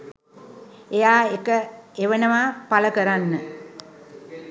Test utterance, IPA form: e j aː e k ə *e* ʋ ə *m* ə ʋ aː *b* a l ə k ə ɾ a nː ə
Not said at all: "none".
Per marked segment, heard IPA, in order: e, n, p

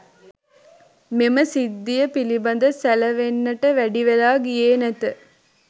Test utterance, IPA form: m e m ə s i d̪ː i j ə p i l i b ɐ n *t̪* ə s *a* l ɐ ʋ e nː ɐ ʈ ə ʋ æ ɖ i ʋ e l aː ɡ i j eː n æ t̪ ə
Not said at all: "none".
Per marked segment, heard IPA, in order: d̪, æ

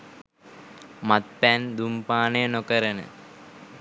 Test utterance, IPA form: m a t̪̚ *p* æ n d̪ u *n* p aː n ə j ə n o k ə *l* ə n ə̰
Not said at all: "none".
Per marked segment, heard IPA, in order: p, m, ɾ

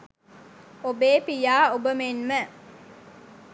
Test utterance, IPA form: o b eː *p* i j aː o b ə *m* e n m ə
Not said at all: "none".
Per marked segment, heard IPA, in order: p, m

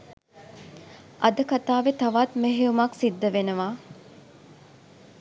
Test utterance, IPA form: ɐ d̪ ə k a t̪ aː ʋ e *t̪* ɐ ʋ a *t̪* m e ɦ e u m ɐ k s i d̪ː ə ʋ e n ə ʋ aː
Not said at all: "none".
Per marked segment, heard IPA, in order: t̪, t̪

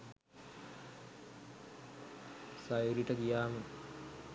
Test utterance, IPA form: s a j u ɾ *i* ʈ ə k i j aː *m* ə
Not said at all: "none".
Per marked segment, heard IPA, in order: i, m

